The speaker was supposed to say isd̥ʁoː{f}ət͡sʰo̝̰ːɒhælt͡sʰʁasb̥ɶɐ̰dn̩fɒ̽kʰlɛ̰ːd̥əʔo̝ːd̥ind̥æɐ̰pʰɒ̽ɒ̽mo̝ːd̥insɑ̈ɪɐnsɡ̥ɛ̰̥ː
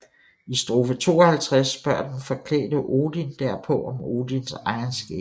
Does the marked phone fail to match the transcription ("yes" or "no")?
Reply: no